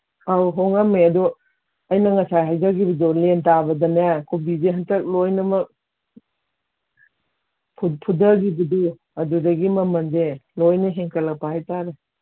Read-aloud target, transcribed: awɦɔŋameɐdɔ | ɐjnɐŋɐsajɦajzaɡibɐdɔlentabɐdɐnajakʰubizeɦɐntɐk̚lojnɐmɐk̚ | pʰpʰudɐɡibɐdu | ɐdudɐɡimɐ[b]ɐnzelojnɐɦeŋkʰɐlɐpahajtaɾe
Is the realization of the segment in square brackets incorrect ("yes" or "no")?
yes